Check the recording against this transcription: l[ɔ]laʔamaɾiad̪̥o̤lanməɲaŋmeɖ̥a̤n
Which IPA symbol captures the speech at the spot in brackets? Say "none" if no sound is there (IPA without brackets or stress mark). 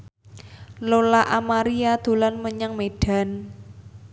o